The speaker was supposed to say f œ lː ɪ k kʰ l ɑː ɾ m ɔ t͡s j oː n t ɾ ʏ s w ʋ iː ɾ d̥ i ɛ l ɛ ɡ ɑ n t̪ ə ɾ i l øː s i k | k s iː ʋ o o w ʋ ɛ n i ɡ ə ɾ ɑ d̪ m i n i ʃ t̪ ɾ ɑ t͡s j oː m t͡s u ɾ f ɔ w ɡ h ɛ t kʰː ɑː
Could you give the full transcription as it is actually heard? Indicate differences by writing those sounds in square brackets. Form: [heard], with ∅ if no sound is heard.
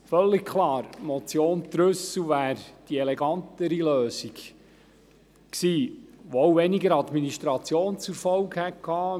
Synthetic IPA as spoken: f œ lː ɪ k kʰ l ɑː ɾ m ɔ t͡s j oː n t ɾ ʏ s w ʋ [æː] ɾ d̥ i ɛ l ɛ ɡ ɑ n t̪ ə ɾ i l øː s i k | k s iː ʋ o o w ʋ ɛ n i ɡ ə ɾ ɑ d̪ m i n i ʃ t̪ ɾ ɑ t͡s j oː [n] t͡s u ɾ f ɔ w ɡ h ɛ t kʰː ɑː